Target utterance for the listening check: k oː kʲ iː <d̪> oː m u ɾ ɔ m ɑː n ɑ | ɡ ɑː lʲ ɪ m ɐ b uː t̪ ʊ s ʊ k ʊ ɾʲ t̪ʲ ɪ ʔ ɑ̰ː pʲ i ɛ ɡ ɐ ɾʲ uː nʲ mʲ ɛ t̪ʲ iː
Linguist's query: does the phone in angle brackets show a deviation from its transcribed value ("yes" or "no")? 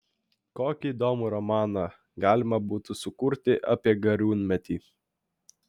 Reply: no